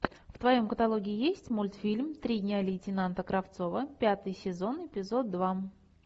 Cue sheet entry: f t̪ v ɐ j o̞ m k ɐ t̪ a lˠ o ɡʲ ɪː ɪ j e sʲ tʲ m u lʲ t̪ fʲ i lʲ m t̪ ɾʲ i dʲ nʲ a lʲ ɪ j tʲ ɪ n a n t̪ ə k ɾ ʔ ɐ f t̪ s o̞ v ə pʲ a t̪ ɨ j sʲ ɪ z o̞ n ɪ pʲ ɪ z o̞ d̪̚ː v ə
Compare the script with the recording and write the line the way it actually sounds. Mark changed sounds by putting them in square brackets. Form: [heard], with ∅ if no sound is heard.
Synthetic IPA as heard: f t̪ v ɐ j o̞ m k [ə] t̪ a lˠ o ɡʲ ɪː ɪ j e sʲ tʲ m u lʲ t̪ fʲ i lʲ m t̪ ɾʲ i dʲ nʲ a lʲ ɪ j tʲ ɪ n a n t̪ ə k ɾ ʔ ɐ f t̪ s o̞ v ə pʲ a t̪ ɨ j sʲ ɪ z o̞ n ɪ pʲ ɪ z o̞ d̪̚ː v [a]